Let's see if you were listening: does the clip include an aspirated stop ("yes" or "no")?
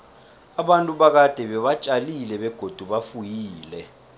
no